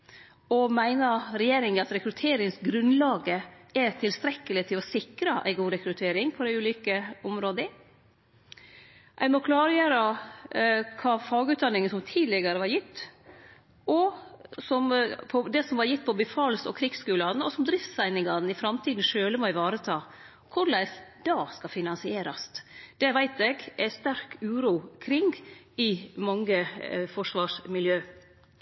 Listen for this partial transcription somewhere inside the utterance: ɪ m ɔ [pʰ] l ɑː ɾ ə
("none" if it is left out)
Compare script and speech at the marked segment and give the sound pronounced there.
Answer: kʰ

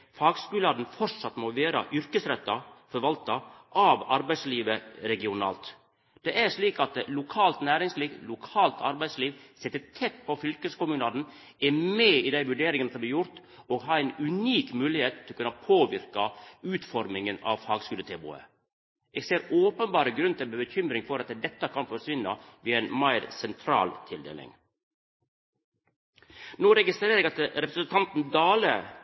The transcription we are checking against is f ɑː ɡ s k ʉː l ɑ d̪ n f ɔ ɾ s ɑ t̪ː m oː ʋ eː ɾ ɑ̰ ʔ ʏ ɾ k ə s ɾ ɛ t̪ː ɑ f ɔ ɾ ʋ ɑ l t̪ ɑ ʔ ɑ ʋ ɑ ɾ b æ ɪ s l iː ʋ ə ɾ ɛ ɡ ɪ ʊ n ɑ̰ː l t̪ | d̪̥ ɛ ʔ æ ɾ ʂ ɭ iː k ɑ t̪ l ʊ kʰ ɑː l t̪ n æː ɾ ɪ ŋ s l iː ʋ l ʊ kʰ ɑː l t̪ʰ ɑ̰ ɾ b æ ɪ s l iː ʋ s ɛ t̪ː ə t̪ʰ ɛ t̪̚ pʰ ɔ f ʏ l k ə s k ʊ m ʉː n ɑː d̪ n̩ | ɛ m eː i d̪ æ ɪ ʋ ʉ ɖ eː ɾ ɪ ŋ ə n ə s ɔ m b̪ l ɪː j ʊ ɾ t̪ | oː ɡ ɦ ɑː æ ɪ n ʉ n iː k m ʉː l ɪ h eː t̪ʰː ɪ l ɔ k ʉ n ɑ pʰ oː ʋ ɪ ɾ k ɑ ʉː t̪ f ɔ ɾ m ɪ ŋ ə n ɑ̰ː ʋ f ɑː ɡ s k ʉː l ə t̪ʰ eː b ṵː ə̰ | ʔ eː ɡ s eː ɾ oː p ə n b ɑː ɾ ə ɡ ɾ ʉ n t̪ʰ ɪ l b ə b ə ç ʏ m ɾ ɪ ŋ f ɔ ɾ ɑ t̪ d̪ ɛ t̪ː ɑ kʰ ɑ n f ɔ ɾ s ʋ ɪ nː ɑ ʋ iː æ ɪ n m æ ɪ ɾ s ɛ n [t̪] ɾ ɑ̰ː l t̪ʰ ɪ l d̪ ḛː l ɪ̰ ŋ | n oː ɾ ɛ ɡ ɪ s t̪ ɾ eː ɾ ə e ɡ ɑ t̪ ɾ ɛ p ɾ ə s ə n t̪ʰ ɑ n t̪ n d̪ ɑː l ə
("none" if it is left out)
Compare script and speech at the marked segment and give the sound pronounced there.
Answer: t̪ʰ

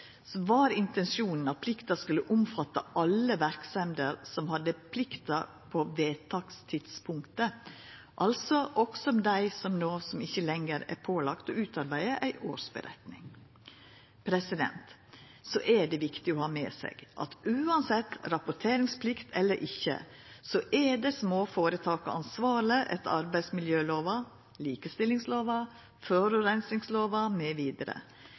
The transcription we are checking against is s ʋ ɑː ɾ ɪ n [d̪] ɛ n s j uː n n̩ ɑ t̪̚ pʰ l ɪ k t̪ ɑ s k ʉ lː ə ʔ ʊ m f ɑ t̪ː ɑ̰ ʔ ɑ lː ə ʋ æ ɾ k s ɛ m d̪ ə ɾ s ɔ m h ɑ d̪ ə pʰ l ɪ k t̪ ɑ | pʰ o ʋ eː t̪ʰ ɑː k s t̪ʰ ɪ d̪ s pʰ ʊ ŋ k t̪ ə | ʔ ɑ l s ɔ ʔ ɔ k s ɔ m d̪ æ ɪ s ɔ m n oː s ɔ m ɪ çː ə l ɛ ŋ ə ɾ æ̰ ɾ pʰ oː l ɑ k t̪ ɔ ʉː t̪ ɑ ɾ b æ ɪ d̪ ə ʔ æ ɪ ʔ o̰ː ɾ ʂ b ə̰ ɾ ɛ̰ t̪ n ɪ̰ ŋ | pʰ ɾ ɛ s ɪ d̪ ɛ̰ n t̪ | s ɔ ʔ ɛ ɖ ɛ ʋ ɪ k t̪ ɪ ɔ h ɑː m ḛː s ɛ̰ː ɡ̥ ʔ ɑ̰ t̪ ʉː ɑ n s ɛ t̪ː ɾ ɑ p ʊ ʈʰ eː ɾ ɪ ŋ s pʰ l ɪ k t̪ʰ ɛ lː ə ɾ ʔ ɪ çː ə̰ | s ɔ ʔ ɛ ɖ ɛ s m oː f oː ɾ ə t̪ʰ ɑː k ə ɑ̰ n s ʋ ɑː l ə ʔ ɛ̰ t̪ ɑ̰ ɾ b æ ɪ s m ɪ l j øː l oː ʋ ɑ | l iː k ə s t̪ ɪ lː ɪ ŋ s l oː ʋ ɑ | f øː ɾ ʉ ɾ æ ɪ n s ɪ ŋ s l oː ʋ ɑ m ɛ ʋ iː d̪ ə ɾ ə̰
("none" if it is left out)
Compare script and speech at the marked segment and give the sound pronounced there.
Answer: t̪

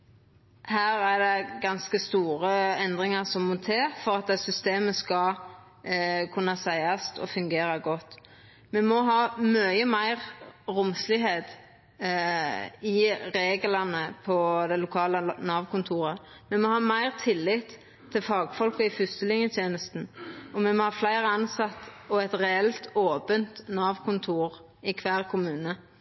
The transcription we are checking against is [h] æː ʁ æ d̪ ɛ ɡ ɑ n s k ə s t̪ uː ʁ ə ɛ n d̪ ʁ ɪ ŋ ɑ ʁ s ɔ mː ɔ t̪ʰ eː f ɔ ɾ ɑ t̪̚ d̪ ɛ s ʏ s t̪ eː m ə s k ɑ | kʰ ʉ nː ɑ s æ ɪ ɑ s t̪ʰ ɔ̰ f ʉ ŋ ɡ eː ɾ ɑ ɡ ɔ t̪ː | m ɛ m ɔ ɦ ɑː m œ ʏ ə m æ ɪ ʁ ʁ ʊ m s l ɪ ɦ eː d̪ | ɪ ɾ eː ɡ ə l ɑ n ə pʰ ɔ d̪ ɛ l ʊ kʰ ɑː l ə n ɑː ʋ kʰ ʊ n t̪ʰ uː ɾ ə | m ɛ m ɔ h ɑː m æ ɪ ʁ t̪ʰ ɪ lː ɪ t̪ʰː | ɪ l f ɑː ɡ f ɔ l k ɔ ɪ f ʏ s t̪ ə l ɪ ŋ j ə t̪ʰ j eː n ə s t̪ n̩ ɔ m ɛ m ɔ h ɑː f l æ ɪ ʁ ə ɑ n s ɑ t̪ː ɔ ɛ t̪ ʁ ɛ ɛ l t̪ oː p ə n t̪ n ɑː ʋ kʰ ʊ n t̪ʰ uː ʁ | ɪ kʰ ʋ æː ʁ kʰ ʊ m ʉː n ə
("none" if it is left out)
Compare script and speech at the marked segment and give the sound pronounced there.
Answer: h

